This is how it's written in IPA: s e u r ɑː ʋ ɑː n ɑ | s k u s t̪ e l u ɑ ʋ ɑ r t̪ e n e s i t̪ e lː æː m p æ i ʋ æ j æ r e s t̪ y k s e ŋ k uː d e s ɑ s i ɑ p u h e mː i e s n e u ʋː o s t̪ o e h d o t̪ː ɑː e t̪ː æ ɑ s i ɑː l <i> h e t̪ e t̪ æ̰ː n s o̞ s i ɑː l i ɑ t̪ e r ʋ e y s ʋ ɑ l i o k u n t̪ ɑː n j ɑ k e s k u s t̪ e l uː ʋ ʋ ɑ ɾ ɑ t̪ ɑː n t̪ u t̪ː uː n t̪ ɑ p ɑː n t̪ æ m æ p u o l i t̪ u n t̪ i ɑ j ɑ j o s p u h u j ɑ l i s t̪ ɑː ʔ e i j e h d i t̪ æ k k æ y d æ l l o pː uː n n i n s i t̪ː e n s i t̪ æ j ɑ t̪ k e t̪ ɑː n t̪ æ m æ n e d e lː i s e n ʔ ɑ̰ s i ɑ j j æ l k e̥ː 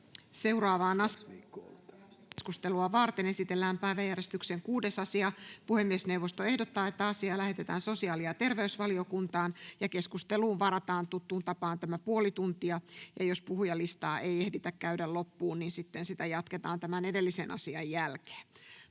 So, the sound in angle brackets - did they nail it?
no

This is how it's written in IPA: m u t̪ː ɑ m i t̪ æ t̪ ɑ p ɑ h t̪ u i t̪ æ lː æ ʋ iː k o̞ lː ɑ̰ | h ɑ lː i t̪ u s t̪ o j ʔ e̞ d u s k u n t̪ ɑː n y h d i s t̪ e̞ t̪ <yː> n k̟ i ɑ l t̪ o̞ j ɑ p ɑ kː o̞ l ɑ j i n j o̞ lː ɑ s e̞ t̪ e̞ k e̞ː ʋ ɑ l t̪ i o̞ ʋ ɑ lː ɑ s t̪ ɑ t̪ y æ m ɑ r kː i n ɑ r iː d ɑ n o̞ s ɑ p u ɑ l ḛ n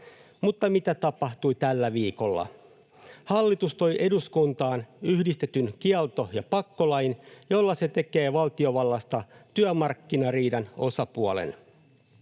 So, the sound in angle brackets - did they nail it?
no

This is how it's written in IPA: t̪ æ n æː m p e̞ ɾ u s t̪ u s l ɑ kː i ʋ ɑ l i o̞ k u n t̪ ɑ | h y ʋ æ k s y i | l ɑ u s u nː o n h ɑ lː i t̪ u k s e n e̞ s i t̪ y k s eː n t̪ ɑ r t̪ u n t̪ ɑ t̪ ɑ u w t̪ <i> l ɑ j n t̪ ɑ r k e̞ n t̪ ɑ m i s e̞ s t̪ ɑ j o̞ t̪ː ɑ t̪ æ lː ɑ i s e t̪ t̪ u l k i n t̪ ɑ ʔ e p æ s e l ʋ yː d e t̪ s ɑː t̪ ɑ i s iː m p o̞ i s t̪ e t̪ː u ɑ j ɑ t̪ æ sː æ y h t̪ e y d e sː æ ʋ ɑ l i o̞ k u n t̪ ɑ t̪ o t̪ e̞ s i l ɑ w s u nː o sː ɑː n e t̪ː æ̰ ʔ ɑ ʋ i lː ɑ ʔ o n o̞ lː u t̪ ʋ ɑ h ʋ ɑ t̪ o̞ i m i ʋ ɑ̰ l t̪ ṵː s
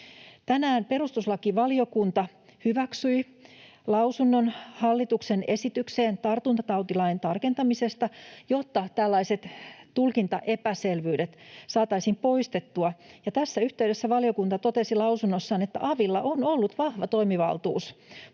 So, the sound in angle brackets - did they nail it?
yes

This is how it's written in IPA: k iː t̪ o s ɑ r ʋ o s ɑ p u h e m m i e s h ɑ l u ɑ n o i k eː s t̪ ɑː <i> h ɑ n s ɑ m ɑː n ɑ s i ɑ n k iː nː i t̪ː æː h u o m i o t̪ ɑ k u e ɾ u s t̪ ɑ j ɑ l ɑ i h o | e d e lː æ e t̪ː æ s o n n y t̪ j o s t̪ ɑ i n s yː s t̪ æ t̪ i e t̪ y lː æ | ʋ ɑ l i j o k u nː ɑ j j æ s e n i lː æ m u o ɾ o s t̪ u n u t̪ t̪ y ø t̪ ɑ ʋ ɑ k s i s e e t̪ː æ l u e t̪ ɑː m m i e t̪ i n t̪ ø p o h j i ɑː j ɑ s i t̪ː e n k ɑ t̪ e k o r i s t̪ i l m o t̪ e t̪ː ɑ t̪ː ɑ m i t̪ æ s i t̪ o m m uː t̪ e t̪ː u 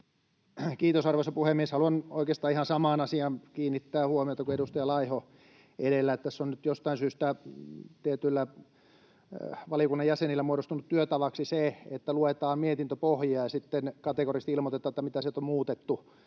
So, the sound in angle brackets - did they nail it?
yes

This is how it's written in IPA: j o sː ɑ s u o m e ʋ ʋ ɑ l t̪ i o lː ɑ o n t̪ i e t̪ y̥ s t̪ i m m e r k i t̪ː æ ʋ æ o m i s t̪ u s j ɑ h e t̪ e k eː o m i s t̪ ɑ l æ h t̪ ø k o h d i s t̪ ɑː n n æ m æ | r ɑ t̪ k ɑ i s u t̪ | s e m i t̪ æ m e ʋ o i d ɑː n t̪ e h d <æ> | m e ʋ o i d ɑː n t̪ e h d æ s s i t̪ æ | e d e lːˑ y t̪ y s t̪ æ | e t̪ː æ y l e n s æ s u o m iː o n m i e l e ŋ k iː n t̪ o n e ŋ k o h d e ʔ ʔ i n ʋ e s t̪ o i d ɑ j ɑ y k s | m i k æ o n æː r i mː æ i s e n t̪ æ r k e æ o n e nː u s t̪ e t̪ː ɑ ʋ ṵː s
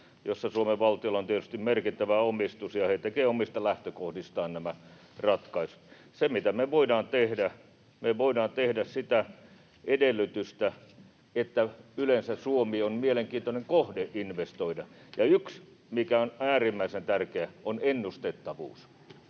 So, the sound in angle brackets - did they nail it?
yes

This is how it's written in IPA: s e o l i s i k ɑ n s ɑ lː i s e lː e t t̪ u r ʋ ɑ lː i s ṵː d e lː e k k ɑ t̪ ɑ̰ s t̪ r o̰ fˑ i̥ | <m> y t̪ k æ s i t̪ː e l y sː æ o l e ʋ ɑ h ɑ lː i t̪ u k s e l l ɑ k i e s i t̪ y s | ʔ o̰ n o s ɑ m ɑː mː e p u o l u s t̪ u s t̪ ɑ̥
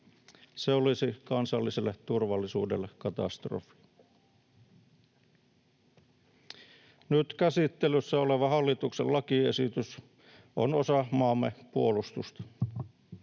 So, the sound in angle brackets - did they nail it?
no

